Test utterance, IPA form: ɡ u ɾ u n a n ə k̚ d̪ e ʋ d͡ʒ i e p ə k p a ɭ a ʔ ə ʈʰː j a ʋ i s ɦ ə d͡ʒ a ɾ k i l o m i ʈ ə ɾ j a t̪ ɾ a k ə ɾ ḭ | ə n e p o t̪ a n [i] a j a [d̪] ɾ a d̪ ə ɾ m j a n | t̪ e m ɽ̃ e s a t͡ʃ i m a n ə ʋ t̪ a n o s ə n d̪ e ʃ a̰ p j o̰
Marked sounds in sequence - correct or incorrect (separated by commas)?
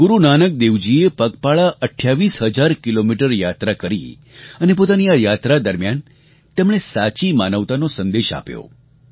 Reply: correct, incorrect